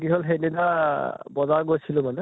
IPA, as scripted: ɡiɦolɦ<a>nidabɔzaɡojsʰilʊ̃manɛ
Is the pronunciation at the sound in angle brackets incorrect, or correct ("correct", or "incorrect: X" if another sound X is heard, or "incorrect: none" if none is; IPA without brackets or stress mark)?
incorrect: e